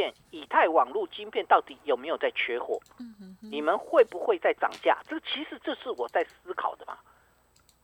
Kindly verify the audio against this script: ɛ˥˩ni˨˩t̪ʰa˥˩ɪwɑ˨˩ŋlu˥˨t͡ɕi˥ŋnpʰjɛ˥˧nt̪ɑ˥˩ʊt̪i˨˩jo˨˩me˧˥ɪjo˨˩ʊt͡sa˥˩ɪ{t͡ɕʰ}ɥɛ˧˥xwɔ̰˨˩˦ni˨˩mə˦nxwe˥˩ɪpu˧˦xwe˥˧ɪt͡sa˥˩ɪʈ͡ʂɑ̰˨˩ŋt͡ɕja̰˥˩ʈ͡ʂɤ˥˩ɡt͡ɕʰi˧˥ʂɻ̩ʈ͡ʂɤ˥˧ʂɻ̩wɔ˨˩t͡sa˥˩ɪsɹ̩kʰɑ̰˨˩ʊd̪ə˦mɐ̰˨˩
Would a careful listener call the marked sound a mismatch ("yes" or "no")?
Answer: no